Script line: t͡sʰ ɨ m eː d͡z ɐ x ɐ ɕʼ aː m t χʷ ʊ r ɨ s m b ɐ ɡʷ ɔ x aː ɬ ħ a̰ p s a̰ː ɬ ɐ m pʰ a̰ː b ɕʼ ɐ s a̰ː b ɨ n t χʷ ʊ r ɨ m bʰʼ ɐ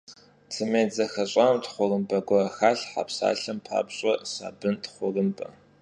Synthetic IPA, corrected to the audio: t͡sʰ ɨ m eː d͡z ɐ x ɐ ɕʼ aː m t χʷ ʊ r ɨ m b ɐ ɡʷ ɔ x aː ɬ ħ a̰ p s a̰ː ɬ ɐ m pʰ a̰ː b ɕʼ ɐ s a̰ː b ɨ n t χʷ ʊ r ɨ m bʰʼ ɐ